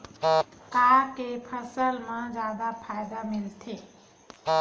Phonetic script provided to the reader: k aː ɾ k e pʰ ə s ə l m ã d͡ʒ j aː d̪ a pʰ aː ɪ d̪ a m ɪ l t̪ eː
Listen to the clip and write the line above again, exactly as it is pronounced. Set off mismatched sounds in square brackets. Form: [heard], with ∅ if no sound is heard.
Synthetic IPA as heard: k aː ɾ k e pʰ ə s ə l m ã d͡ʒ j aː d̪ a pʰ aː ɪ d̪ a m ɪ l [t̪ʰ] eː